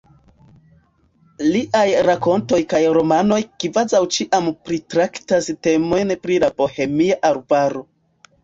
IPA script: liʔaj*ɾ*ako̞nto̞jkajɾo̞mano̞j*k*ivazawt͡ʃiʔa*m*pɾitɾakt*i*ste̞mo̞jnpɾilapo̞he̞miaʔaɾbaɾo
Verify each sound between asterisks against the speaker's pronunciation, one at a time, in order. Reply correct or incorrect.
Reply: correct, correct, correct, incorrect: a

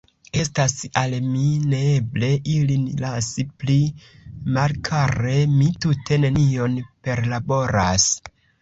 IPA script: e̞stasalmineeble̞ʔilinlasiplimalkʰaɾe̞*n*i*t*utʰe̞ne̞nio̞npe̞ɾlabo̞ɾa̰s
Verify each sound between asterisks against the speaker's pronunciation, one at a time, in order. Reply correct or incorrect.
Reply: incorrect: m, correct

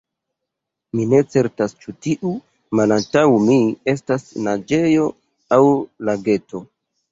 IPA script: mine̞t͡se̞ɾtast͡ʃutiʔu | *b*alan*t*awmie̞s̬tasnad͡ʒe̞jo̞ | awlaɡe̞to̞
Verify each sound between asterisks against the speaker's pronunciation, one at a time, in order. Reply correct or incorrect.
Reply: incorrect: m, correct

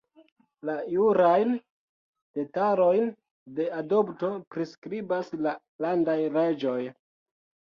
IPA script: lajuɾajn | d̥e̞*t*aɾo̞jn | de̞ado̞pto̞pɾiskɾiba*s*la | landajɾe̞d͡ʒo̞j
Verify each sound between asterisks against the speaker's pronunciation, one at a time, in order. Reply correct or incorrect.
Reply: correct, correct

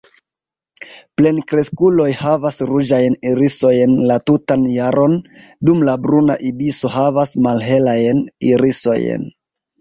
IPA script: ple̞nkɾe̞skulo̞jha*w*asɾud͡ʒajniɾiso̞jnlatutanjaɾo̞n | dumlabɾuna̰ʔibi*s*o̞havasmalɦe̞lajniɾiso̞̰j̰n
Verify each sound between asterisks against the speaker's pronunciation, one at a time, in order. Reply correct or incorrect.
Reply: incorrect: v, correct

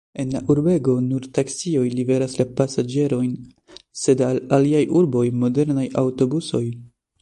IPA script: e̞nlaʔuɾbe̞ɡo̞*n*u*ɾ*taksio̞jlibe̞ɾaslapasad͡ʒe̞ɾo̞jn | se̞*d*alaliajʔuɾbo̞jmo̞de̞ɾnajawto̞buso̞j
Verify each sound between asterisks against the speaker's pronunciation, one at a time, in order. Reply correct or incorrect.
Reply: correct, correct, correct

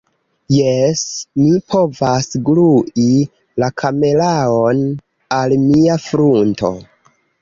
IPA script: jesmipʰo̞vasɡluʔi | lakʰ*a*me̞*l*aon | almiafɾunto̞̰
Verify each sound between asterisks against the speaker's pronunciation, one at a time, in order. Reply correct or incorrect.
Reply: correct, correct

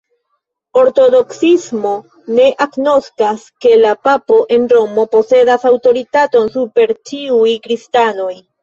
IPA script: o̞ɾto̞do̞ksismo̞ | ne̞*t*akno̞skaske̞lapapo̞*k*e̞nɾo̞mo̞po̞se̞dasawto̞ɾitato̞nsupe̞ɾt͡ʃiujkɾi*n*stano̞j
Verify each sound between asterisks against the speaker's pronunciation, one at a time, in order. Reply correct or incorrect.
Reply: incorrect: ʔ, incorrect: ʔ, incorrect: none

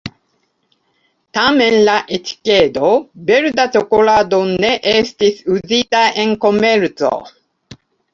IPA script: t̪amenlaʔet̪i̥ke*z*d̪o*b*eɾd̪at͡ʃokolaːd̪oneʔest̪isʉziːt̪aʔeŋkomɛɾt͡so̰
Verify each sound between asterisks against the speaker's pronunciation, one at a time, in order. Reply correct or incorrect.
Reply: incorrect: none, correct

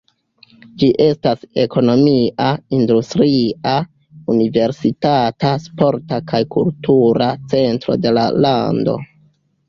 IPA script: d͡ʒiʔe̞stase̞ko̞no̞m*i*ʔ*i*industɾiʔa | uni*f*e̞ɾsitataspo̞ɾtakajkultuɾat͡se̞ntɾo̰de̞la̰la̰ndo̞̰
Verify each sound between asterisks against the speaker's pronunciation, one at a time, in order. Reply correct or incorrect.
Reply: correct, incorrect: a, incorrect: v

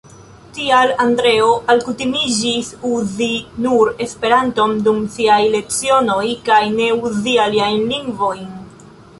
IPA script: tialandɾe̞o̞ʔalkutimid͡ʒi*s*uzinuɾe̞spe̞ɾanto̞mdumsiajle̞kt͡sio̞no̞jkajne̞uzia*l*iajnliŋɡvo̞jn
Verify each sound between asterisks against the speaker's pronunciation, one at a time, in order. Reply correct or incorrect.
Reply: correct, correct

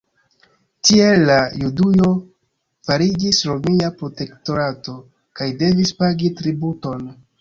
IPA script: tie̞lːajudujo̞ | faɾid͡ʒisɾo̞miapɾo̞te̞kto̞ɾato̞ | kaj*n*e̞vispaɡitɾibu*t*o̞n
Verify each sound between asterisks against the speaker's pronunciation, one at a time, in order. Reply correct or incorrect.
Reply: incorrect: d, correct

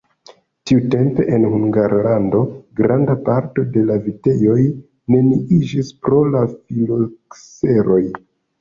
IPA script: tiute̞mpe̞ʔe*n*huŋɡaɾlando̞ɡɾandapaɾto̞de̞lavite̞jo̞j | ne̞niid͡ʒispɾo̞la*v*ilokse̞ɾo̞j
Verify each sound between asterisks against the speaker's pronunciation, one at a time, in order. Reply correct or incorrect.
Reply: correct, incorrect: f

